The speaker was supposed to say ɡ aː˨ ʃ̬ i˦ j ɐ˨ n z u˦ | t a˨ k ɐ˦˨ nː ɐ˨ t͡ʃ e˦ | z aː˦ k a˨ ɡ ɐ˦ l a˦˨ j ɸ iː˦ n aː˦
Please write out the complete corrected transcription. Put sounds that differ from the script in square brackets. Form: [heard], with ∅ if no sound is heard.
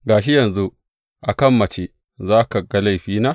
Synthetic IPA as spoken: ɡ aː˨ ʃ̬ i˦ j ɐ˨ n z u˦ | [ʔ] a˨ k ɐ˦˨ [mː] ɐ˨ t͡ʃ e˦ | z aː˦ k a˨ ɡ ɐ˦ l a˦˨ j ɸ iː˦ n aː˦